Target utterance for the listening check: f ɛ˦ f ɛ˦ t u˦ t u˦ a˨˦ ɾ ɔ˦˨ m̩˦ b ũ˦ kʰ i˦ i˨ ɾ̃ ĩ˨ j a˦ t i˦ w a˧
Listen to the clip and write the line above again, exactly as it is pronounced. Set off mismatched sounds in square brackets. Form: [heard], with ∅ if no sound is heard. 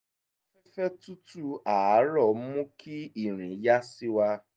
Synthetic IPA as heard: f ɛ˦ f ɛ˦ t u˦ t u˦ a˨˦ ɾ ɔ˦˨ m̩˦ [m] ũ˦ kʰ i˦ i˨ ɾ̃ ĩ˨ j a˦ [s] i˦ w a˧